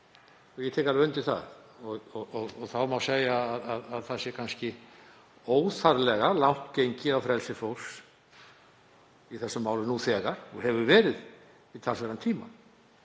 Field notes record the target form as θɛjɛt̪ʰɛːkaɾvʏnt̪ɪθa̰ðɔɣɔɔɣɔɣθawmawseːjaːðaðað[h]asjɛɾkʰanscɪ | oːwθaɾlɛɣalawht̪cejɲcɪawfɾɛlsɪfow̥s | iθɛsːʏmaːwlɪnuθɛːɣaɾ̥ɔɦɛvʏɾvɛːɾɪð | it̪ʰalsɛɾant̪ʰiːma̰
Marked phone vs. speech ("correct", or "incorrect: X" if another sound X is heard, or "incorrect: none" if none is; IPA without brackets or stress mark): incorrect: θ